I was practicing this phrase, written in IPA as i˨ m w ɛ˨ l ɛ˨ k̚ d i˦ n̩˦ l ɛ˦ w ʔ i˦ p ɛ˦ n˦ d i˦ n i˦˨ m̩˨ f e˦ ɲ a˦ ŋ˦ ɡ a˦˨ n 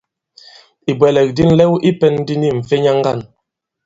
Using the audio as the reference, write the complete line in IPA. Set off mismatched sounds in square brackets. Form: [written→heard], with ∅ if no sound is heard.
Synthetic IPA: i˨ [m→b] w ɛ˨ l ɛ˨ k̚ d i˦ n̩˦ l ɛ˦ w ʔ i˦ p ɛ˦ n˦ d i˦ n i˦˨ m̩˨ f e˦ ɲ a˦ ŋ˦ ɡ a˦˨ n